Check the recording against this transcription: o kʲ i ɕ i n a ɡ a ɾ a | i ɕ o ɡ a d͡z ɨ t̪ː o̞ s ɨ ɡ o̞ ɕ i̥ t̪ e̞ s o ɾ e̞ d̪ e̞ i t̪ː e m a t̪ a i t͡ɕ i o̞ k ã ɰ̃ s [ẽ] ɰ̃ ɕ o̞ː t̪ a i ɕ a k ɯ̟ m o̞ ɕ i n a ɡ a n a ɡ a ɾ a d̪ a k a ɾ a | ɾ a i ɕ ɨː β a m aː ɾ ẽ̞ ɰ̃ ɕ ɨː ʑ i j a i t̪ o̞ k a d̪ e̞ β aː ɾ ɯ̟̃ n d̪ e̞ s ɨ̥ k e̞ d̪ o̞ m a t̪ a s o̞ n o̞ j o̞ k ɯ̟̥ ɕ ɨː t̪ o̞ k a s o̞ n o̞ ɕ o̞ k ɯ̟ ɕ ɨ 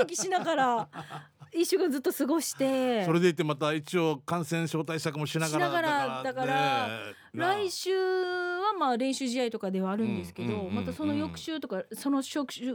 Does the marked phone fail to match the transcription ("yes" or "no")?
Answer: no